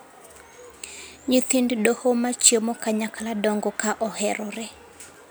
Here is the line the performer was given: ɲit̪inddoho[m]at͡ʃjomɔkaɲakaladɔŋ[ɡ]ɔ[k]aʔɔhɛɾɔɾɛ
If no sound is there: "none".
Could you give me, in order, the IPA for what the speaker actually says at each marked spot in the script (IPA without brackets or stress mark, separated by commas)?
m, ɡ, k